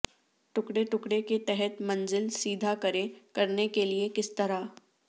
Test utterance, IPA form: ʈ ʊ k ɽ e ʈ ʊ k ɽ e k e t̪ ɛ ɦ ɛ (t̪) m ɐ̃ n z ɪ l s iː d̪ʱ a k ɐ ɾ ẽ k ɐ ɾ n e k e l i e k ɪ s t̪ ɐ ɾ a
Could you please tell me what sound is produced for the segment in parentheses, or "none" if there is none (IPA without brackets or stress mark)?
t̪